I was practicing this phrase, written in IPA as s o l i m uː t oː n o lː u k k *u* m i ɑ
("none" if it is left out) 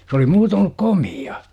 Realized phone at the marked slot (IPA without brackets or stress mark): o